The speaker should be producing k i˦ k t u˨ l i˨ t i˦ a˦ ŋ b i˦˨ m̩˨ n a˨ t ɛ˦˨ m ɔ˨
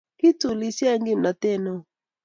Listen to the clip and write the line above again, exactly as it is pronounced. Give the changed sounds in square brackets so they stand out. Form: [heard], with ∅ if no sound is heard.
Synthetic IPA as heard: k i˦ [∅] t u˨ l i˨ [s] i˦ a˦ ŋ [ɡ] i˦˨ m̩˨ n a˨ t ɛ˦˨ [n] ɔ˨